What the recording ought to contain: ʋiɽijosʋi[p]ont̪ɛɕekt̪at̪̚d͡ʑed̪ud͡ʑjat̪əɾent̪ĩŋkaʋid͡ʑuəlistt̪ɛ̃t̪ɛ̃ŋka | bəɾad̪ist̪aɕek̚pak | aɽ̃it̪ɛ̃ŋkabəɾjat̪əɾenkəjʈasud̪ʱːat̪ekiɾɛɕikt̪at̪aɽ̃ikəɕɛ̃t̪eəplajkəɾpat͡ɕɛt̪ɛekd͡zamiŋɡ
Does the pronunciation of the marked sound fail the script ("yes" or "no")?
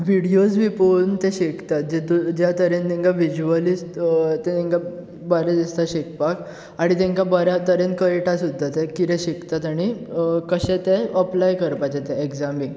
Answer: no